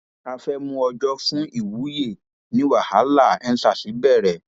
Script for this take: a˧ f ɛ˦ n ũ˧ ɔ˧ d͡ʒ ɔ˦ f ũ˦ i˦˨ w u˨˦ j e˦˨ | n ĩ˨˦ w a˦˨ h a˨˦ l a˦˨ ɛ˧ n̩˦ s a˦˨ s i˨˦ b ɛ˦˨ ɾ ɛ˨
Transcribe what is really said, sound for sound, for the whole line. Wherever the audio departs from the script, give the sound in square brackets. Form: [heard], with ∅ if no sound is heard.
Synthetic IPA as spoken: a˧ f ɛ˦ [m] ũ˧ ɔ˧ d͡ʒ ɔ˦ f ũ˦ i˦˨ w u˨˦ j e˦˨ | n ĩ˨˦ w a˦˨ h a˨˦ l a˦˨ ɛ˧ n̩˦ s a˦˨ s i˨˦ b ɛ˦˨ ɾ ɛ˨